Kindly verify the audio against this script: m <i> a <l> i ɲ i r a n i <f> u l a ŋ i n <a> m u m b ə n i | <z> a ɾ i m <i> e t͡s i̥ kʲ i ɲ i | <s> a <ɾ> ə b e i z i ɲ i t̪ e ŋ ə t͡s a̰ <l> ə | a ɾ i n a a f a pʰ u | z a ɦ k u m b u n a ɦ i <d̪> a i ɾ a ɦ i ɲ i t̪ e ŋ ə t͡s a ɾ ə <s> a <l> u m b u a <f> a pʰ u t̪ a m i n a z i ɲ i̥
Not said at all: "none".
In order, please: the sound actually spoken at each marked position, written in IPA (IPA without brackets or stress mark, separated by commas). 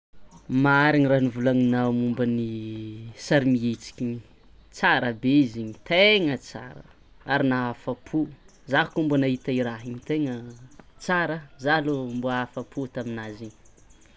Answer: a, ɾ, v, a, s, i, t͡s, ɾ, ɾ, t̪, z, l, f